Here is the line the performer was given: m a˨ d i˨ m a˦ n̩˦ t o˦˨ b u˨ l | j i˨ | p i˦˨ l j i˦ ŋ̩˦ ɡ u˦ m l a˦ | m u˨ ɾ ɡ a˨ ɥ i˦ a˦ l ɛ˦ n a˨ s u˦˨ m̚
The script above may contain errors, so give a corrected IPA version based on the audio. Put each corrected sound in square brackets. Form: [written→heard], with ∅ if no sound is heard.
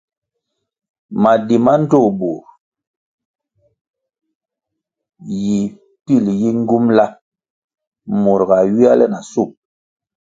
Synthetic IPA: m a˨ d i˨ m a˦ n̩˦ t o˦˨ b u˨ [l→ɾ] | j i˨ | p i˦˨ l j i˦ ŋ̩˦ ɡ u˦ m l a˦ | m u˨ ɾ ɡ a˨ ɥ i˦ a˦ l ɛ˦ n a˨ s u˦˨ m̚